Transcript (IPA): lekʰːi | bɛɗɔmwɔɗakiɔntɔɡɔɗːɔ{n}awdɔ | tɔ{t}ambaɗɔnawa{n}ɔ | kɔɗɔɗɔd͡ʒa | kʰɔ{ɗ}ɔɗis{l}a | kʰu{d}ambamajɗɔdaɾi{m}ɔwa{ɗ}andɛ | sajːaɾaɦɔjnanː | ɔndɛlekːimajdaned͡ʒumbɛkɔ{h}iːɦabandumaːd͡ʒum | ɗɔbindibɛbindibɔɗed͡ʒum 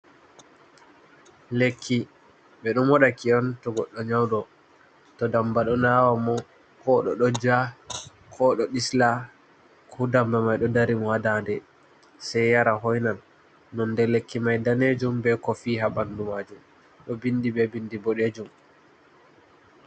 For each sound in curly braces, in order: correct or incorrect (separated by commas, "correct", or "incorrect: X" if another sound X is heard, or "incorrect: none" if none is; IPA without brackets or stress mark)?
incorrect: ɲ, incorrect: d, incorrect: m, correct, correct, correct, correct, incorrect: d, incorrect: f